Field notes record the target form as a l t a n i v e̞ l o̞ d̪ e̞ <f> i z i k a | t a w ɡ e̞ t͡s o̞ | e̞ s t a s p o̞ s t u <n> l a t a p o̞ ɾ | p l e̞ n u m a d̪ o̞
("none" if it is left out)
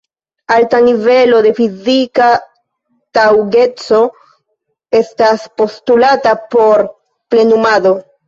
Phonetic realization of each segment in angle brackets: f, none

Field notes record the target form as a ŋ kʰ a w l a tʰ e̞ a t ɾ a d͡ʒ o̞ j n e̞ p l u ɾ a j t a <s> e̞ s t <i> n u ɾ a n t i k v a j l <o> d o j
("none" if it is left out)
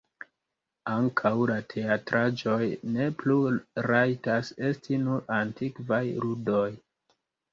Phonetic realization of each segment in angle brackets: s, i, u

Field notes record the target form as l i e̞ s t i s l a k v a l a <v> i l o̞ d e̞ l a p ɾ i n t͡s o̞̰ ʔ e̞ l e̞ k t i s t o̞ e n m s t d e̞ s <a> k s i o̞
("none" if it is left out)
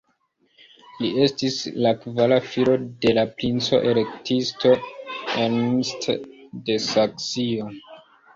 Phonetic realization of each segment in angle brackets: f, a

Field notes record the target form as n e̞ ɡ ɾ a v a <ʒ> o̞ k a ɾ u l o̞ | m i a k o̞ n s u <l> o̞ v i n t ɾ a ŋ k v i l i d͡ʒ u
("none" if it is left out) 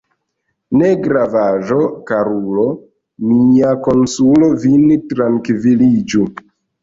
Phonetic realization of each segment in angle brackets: ʒ, l

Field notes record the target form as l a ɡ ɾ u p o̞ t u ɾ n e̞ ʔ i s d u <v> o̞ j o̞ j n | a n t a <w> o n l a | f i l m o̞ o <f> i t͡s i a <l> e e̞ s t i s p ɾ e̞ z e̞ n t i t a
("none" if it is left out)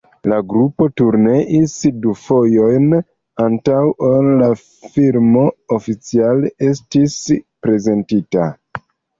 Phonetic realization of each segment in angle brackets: f, w, f, l

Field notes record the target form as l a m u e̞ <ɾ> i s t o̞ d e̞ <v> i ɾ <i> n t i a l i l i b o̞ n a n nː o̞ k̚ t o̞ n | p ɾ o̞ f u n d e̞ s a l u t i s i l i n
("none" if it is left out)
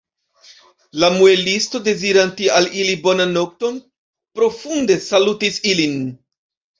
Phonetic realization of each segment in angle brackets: l, z, a

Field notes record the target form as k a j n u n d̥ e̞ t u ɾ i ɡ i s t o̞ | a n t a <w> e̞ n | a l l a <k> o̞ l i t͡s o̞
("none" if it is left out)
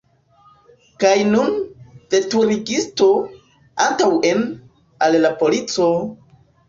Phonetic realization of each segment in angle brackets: w, p

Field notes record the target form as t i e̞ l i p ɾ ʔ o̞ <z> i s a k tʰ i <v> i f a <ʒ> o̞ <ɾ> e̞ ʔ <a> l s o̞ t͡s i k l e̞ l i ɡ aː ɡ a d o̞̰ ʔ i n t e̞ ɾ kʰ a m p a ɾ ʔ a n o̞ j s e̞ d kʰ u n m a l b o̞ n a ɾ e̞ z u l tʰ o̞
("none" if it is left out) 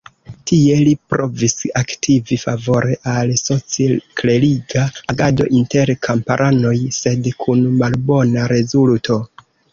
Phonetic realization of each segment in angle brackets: v, v, v, ɾ, a

